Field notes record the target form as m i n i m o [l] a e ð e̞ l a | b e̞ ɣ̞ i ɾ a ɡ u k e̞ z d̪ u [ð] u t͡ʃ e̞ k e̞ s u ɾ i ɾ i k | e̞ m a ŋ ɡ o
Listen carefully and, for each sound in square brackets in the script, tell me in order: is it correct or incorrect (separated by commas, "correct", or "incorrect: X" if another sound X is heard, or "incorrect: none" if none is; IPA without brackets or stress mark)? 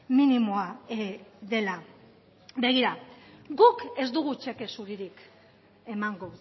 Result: incorrect: none, incorrect: ɣ